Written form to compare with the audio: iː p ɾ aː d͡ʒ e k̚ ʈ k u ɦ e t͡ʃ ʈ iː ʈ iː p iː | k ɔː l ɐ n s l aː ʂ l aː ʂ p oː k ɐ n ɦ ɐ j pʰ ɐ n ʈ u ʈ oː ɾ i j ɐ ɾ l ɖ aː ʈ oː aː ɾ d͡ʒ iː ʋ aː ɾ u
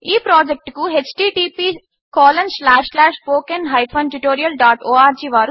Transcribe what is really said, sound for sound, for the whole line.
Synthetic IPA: iː p ɾ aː d͡ʒ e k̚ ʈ k u ɦ e t͡ʃ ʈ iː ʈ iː p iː | k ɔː l ɐ n s l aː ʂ l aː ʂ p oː k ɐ n ɦ ɐ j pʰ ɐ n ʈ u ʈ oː ɾ i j ɐ l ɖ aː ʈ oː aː ɾ d͡ʒ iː ʋ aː ɾ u